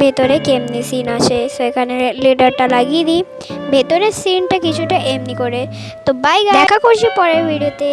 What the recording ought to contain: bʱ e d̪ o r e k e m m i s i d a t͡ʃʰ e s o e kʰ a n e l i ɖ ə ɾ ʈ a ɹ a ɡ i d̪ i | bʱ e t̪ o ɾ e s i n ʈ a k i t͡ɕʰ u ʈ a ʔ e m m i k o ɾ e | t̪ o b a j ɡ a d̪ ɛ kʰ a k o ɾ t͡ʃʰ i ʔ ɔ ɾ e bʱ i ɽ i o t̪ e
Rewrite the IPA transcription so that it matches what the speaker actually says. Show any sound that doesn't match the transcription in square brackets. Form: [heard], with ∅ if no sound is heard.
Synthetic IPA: bʱ e [t̪] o [ɾ] e k e m [n] i s i [n] a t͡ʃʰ e s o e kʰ a n e l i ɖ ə ɾ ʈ a [l] a ɡ i d̪ i | bʱ e t̪ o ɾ e s i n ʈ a k i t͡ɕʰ u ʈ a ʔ e m [n] i k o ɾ e | t̪ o b a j ɡ a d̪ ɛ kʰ a k o ɾ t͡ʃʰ i [p] ɔ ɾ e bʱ i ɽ i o t̪ e